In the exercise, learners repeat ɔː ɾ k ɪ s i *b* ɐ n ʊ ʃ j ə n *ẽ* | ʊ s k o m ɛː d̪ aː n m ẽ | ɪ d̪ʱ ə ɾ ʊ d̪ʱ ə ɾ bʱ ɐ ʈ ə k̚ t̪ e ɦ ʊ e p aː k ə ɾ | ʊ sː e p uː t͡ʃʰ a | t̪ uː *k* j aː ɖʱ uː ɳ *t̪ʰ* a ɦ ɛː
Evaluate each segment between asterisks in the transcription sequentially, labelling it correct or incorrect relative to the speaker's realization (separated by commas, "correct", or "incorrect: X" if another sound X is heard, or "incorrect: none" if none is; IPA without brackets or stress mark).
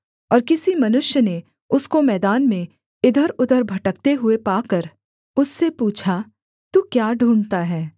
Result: incorrect: m, incorrect: e, correct, incorrect: t̪